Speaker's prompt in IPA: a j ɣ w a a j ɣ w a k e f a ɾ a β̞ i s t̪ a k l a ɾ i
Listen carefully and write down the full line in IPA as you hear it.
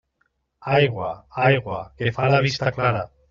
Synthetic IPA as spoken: a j ɣ w a a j ɣ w a k e f a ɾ a β̞ i s t̪ a k l a ɾ a